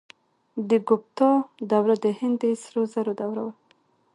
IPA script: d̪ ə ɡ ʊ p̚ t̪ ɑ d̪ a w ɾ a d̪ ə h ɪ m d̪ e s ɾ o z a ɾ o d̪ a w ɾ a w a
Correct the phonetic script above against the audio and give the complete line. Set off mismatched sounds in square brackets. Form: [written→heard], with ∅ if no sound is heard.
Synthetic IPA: d̪ ə ɡ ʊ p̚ t̪ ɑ d̪ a w ɾ a d̪ ə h ɪ [m→n] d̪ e s ɾ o z a ɾ o d̪ a w ɾ a w a